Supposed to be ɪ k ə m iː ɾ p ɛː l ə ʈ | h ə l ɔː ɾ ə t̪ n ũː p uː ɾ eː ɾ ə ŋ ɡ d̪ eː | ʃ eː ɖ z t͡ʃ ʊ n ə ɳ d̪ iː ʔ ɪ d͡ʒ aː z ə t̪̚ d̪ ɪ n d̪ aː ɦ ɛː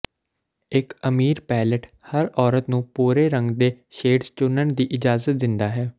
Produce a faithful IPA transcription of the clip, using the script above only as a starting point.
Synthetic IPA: ɪ k ə m iː ɾ p ɛː l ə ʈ | h ə ɾ ɔː ɾ ə t̪ n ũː p uː ɾ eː ɾ ə ŋ ɡ d̪ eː | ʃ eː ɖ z t͡ʃ ʊ n ə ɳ d̪ iː ʔ ɪ d͡ʒ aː z ə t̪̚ d̪ ɪ n d̪ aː ɦ ɛː